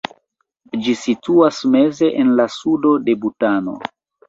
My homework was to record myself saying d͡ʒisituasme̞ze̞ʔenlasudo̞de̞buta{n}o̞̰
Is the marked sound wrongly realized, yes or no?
no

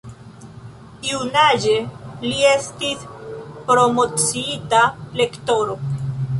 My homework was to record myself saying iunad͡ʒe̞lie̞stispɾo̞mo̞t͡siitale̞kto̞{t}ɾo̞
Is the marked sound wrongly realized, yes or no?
yes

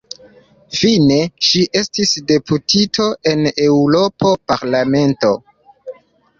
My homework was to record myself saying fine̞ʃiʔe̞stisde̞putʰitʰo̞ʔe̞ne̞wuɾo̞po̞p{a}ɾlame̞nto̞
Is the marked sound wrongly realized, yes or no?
no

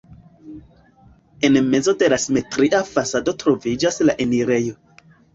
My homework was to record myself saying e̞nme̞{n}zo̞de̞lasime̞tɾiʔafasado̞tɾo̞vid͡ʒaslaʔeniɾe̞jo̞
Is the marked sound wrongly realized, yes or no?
yes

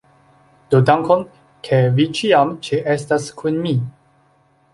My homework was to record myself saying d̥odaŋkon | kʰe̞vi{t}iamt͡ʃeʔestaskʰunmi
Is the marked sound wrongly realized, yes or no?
yes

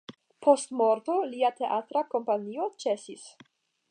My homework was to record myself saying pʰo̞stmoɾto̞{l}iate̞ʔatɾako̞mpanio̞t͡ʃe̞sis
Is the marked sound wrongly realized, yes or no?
no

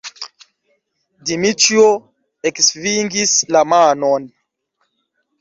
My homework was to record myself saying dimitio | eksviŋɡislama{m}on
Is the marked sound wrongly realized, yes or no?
yes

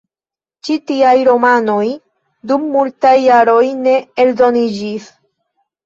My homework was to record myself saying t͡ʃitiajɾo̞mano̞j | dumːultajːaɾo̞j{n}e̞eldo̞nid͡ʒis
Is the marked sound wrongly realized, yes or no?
no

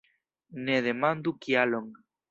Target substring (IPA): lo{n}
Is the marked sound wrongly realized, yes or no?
yes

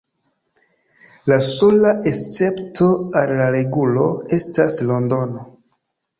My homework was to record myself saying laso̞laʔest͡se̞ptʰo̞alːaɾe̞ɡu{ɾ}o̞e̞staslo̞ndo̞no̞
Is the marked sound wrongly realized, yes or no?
yes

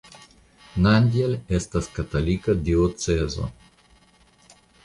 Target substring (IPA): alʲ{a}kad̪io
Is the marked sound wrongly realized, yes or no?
yes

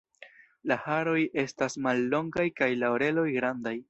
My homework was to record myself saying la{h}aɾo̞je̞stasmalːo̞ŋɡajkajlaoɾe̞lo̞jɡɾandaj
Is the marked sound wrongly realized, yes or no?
no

